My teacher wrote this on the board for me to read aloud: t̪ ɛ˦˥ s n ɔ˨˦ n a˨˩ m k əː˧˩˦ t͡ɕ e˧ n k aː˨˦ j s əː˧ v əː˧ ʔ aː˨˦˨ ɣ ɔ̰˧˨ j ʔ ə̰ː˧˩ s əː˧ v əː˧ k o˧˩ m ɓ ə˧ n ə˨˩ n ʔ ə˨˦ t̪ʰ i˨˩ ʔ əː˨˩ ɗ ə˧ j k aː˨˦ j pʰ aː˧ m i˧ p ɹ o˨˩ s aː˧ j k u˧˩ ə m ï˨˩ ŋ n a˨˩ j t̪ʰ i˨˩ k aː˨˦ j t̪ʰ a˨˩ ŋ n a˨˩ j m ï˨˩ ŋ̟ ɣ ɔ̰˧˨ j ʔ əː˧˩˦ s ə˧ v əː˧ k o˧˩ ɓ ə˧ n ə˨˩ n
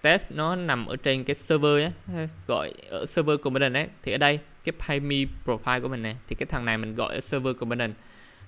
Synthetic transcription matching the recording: t̪ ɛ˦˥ s n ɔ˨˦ n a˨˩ m ʔ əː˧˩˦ t͡ɕ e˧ n k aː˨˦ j s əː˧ v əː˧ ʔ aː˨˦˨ ɣ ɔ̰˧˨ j ʔ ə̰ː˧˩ s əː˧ v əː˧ k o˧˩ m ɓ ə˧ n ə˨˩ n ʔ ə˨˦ t̪ʰ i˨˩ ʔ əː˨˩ ɗ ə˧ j k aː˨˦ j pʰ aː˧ m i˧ p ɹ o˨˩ f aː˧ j k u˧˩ ə m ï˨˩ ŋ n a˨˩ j t̪ʰ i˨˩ k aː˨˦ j t̪ʰ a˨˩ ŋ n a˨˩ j m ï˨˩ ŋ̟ ɣ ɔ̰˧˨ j ʔ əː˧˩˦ s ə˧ v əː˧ k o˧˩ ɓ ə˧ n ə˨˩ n